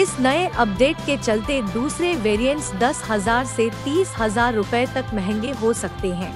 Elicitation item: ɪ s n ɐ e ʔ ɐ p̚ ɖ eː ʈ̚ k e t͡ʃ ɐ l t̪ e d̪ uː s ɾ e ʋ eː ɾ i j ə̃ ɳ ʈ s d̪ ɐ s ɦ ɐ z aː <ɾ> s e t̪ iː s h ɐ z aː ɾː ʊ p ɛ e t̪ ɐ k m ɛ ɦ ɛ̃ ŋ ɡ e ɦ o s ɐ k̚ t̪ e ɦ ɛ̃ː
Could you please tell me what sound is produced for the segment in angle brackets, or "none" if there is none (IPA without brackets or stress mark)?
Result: ɾ